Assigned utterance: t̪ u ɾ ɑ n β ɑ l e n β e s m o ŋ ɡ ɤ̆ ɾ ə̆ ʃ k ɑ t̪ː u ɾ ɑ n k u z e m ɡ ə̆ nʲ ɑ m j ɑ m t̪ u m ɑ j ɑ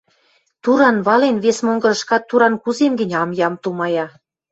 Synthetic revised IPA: t̪ u ɾ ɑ n β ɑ l e n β e s m o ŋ ɡ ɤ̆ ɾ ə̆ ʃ k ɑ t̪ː u ɾ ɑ n k u z e m ɡ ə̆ nʲ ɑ m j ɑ m t̪ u m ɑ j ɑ